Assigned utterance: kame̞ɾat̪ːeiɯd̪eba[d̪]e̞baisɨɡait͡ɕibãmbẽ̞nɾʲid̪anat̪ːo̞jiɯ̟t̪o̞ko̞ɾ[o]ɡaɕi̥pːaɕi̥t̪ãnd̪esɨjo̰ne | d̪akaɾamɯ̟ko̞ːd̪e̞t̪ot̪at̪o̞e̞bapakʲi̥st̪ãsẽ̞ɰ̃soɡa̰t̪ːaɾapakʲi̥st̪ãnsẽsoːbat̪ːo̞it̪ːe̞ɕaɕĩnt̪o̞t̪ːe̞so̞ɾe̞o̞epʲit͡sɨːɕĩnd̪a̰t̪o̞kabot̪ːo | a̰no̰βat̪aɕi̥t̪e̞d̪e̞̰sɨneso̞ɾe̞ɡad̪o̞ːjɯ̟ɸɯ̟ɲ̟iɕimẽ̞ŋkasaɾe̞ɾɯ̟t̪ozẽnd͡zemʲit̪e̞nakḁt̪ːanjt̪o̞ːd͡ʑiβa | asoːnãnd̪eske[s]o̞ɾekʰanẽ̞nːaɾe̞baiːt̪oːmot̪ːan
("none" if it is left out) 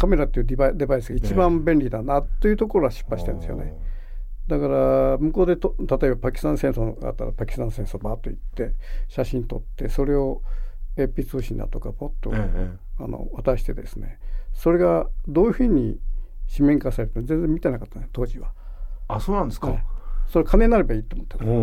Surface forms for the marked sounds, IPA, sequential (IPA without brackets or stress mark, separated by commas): d̪, o, s